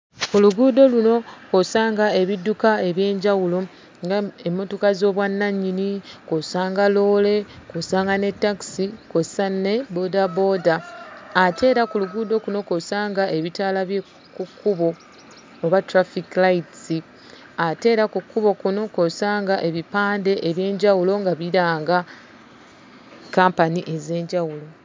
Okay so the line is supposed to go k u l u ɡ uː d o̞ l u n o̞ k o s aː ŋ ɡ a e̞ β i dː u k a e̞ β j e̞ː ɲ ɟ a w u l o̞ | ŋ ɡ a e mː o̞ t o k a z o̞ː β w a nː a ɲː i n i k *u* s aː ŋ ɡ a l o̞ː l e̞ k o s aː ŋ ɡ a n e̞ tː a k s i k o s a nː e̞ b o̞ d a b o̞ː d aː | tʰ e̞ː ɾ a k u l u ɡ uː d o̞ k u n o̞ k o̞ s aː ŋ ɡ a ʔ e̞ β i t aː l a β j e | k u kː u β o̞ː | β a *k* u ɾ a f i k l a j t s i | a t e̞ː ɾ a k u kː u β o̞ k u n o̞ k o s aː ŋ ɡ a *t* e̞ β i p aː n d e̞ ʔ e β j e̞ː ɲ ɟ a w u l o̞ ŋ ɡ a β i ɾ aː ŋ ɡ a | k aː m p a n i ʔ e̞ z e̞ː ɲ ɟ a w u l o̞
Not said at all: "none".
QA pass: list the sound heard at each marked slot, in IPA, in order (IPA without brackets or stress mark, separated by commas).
o, t, ʔ